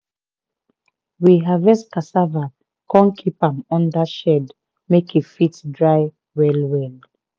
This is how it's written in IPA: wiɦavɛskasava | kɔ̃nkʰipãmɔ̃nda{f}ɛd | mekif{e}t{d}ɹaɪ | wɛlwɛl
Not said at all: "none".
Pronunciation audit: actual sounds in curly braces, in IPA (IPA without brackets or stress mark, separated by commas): ʃ, i, d